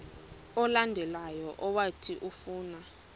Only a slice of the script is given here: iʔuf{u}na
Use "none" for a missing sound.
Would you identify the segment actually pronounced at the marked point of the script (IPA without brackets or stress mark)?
uː